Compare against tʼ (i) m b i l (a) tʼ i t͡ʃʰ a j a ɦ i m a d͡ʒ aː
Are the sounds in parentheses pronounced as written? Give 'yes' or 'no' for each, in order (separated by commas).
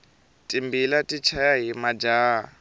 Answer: yes, yes